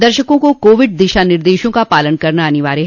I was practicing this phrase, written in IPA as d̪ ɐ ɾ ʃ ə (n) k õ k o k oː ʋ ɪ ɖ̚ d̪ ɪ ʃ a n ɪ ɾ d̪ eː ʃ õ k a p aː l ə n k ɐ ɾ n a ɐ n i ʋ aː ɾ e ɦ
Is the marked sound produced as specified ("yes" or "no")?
no